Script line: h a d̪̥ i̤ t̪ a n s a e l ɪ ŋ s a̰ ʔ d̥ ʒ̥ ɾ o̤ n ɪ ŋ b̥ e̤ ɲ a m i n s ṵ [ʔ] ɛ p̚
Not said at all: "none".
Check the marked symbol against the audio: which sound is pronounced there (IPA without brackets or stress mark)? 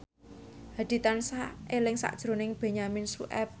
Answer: ʔ